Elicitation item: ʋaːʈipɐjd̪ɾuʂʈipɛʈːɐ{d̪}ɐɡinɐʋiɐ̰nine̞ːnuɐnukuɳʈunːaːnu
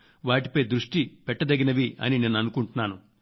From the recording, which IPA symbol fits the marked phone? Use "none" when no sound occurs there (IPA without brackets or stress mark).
d̪